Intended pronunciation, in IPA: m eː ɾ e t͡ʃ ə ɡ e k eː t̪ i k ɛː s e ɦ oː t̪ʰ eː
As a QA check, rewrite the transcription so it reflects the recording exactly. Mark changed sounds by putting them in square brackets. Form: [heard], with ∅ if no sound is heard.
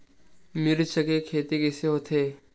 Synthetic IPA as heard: m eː ɾ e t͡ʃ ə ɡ e [kʰ] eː t̪ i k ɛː s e ɦ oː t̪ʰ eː